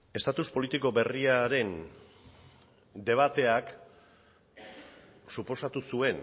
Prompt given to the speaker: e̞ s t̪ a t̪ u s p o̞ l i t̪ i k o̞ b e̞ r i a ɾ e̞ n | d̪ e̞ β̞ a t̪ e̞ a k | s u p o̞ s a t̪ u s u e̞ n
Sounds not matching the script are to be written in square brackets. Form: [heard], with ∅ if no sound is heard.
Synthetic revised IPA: e̞ s t̪ a t̪ u s p o̞ l i t̪ i k o̞ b e̞ r i a ɾ e̞ n | d̪ e̞ β̞ a t̪ e̞ a k | s u p o̞ s a t̪ u s u e̞ n